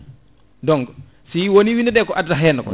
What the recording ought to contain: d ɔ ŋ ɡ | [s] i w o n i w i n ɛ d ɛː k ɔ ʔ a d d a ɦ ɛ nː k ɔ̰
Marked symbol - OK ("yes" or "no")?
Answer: yes